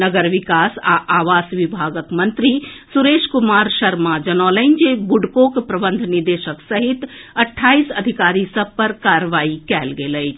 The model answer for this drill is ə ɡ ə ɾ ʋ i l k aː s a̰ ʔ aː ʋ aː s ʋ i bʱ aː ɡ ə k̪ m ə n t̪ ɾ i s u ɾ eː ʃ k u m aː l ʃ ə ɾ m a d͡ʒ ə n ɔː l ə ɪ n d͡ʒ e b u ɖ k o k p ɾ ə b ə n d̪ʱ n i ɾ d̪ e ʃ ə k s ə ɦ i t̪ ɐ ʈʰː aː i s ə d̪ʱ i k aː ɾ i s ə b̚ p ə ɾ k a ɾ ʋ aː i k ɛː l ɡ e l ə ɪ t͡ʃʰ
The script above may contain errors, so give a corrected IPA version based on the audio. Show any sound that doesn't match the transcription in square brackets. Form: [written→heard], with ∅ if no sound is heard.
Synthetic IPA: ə ɡ ə ɾ ʋ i [l→∅] k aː s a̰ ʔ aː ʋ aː s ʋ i bʱ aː ɡ ə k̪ m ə n t̪ ɾ i s u ɾ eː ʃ k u m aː [l→ɾ] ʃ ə ɾ m a d͡ʒ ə n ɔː l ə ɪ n d͡ʒ e b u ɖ k o k p ɾ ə b ə n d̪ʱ n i ɾ d̪ e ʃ ə k s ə ɦ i t̪ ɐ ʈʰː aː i s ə d̪ʱ i k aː ɾ i s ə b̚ p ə ɾ k a ɾ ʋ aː i k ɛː l ɡ e l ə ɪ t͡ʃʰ